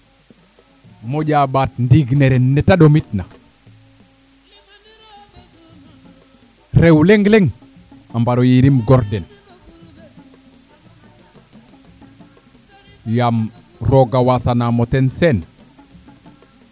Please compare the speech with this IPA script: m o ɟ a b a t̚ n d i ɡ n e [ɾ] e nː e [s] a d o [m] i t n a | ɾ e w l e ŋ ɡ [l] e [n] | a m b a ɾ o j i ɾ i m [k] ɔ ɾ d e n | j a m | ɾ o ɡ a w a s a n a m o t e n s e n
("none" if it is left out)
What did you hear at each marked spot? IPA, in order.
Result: ɾ, t, m, l, ŋ, ɡ

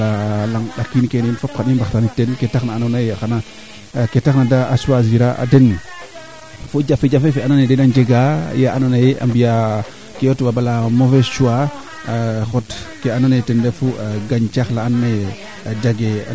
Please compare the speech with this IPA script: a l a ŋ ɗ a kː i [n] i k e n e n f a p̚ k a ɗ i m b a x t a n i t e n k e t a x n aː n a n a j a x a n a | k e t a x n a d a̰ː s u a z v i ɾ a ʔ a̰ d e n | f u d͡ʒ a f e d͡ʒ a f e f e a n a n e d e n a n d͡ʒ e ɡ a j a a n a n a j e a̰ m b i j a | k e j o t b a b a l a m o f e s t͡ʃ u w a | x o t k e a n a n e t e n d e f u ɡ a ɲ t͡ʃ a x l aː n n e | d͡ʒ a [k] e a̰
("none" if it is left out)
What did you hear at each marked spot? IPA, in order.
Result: n, ɡ

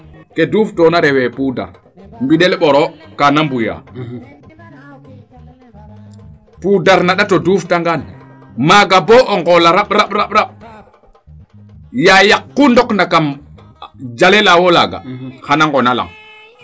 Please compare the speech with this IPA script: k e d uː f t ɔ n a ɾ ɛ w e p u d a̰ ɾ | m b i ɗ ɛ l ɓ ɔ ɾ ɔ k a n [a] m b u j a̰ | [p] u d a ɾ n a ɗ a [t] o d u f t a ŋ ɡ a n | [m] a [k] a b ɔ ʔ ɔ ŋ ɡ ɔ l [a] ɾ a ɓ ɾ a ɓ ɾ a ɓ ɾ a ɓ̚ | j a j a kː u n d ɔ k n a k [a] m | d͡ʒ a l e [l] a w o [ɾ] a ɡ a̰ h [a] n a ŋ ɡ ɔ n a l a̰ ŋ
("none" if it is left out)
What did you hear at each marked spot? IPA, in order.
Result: a, p, t, m, ɡ, a, a, l, l, a

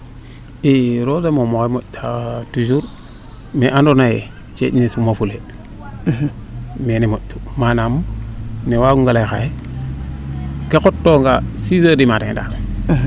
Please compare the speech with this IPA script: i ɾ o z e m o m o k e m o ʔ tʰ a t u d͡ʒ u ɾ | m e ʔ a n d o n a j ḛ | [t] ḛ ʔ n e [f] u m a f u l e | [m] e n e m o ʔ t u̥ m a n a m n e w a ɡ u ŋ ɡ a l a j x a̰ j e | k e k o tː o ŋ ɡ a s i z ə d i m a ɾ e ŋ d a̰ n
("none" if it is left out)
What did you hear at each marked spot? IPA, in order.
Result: t͡ʃ, s, m

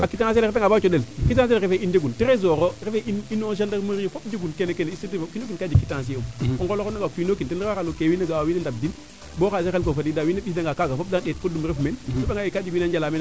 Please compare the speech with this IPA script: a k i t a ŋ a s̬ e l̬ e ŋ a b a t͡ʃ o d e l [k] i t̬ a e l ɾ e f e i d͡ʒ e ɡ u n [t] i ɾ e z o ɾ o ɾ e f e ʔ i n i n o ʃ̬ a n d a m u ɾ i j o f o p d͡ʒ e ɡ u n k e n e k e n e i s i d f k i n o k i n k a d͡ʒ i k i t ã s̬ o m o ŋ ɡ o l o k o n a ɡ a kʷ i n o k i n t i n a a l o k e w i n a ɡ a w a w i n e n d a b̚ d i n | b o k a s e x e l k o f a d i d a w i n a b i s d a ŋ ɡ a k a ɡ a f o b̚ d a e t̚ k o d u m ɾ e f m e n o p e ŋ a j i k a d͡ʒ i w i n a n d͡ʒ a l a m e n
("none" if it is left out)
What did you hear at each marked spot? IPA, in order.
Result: k, t

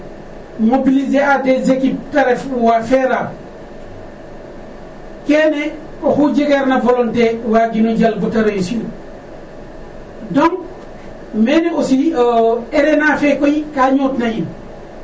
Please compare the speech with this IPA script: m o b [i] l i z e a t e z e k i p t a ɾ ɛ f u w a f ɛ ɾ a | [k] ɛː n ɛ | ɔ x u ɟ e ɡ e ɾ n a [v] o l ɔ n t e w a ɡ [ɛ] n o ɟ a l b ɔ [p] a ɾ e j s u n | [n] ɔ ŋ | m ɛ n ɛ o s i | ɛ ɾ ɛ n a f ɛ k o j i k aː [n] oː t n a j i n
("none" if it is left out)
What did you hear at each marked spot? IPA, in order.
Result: i, k, v, i, t, d, ɲ

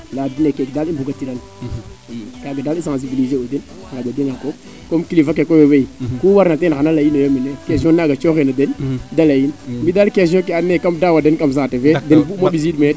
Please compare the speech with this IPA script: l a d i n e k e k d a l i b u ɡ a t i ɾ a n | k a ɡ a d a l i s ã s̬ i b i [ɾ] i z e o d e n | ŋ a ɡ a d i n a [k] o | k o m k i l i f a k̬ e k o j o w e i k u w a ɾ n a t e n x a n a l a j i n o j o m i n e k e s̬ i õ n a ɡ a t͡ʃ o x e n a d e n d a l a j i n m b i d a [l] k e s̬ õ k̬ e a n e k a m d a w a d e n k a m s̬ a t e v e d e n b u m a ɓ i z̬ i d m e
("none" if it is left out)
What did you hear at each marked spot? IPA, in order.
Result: l, k, l

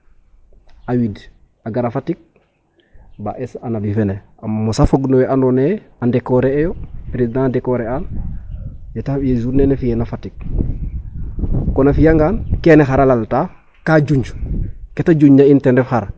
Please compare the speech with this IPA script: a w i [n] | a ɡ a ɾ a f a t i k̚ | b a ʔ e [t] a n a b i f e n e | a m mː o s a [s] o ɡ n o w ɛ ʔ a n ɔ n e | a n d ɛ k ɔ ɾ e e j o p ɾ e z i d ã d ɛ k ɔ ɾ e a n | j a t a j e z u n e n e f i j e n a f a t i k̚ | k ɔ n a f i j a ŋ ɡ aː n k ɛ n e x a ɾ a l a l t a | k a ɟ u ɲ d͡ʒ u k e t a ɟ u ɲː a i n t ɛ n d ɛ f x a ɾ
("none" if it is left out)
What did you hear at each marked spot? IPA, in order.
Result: d, s, f

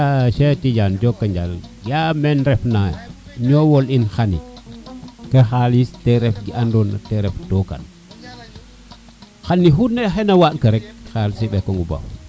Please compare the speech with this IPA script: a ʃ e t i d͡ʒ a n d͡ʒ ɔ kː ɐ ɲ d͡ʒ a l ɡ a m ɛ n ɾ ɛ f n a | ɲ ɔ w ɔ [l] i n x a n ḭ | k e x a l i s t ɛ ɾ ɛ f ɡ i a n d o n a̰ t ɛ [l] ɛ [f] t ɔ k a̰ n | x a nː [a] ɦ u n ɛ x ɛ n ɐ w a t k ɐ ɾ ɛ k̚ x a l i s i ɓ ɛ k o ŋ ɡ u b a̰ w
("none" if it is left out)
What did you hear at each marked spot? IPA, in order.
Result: l, ɾ, f, i

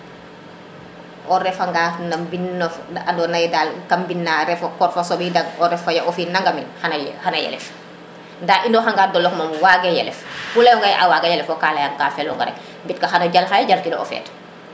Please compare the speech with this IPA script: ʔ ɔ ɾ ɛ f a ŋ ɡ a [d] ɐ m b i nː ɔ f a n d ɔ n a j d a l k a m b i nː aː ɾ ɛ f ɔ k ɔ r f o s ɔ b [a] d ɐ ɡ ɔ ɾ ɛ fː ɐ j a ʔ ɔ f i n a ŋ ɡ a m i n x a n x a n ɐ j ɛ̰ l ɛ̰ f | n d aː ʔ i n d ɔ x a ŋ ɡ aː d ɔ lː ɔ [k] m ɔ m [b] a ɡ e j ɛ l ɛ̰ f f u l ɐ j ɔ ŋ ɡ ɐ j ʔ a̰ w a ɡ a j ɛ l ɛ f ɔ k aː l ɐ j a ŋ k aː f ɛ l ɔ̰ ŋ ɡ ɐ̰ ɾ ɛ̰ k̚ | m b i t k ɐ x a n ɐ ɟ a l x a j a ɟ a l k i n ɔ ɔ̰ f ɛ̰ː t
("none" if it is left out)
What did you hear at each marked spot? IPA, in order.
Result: n, i, k, w

